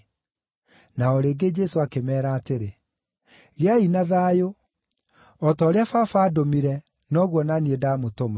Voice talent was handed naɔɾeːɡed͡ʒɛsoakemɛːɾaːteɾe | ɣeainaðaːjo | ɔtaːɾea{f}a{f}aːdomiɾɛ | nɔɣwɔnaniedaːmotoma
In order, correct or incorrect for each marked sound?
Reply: correct, correct

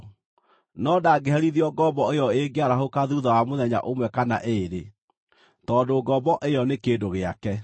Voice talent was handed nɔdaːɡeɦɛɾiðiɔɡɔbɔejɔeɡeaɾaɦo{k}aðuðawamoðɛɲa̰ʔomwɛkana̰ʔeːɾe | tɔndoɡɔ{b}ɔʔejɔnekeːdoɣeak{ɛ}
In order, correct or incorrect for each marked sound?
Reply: correct, correct, correct

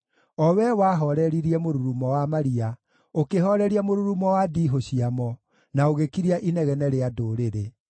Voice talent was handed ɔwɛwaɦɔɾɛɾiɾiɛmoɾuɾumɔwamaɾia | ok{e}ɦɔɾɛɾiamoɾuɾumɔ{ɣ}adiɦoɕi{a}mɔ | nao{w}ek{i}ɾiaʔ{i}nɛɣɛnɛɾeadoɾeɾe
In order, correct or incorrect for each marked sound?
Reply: correct, incorrect, correct, incorrect, correct, correct

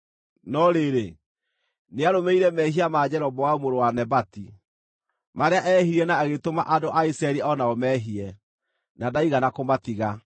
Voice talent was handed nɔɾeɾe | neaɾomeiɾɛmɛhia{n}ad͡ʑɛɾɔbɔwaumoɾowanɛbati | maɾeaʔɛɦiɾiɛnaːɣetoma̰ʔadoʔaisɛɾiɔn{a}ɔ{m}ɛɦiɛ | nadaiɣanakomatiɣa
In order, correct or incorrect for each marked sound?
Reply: incorrect, correct, correct

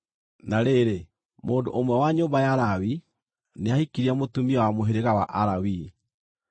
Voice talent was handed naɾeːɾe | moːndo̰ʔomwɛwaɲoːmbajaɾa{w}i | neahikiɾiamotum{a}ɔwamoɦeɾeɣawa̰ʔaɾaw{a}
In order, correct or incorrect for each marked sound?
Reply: correct, incorrect, incorrect

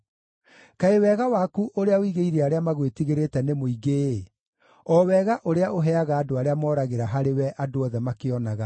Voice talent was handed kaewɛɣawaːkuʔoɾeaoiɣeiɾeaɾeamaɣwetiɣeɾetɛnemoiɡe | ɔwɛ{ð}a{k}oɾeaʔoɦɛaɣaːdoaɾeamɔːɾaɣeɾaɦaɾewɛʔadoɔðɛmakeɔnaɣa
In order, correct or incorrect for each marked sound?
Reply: incorrect, incorrect

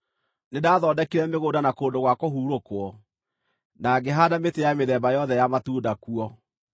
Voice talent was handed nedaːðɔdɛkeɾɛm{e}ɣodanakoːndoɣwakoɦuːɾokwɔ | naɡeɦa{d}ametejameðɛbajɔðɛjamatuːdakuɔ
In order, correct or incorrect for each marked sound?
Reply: correct, correct

